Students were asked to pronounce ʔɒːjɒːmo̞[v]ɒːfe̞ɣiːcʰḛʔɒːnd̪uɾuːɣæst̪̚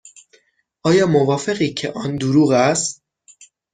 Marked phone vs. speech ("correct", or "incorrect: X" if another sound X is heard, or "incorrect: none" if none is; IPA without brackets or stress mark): correct